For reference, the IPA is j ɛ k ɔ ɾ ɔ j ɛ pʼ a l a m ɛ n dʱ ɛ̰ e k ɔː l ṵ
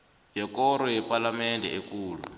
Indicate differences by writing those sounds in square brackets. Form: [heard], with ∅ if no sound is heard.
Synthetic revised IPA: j ɛ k ɔ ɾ ɔ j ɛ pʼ a l a m ɛ n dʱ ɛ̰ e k [uː] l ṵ